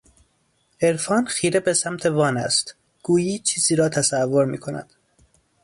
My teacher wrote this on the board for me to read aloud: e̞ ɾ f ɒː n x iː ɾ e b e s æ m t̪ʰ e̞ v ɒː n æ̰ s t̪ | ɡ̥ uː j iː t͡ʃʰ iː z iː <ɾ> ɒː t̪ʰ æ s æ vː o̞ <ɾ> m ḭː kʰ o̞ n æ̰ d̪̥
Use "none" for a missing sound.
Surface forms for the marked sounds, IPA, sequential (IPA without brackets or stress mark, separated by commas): ɾ, ɾ